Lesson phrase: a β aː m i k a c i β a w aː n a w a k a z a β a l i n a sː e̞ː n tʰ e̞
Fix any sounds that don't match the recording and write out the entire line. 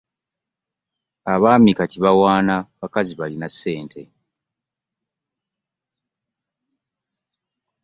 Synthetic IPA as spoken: a β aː m i k a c i β a w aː n a β a k a z i β a l i n a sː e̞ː n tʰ e̞